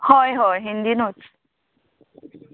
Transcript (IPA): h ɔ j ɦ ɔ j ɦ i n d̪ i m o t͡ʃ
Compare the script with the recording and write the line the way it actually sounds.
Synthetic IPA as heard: h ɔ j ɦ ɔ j ɦ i n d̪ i n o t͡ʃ